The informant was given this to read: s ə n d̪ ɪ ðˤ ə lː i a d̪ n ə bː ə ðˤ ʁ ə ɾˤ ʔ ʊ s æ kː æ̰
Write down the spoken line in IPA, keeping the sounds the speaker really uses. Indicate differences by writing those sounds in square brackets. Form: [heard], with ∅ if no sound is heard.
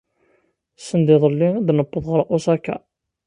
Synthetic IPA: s ə n d̪ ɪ ðˤ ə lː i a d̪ n ə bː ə ðˤ ʁ ə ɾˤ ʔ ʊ s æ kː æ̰